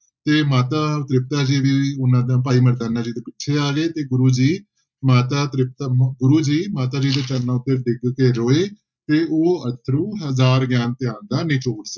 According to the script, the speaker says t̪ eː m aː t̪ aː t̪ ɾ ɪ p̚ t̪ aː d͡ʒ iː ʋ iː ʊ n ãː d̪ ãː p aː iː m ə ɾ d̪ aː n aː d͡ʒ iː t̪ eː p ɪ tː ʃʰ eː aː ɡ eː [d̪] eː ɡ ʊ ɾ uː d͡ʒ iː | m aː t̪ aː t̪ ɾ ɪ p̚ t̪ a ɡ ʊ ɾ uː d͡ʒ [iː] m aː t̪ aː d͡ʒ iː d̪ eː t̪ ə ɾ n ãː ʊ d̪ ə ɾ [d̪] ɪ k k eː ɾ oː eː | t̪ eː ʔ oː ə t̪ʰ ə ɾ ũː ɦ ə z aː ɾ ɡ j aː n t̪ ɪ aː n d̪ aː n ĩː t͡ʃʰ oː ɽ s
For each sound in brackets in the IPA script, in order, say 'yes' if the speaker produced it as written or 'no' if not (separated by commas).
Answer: no, yes, yes